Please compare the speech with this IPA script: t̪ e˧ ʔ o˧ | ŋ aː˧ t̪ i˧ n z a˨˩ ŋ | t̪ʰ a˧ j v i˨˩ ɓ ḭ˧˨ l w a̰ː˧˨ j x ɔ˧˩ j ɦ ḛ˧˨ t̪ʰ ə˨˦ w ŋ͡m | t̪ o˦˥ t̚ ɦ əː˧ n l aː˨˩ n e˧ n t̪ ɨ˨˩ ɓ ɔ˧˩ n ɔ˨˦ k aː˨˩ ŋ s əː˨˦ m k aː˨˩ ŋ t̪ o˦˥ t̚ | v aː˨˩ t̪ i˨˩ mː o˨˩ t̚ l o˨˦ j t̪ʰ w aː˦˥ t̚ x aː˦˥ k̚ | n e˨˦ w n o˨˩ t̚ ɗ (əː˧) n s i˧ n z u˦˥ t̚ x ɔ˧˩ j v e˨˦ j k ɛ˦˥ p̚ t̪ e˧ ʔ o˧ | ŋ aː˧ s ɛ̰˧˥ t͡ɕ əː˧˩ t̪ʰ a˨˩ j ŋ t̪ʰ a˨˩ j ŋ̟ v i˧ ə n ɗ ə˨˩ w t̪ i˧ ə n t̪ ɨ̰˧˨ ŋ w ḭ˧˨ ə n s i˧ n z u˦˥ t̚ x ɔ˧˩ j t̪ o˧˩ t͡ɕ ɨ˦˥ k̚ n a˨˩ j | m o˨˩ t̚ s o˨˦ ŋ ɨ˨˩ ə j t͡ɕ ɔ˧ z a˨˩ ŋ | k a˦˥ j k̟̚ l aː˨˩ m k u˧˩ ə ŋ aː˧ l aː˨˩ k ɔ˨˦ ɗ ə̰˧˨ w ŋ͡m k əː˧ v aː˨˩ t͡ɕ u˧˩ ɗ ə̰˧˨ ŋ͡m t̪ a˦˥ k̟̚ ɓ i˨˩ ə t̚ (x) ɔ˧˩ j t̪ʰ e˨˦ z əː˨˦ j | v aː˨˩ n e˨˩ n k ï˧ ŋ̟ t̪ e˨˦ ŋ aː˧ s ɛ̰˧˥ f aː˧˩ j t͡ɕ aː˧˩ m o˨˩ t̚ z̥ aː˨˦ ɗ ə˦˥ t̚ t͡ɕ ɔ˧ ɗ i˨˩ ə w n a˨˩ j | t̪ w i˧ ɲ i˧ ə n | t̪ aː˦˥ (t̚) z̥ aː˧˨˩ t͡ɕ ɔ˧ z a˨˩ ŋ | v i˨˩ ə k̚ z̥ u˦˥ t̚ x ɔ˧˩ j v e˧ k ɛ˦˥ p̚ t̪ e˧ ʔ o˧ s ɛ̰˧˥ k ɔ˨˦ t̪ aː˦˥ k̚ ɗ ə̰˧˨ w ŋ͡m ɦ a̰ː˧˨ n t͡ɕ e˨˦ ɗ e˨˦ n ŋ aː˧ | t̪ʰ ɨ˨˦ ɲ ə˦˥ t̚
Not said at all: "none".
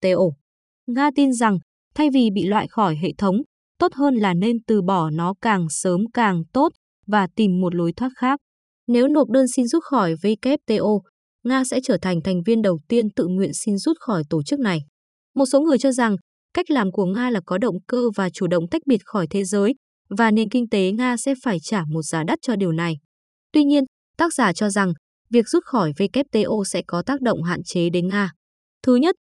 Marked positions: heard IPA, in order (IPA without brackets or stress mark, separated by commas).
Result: əː˧, x, k̚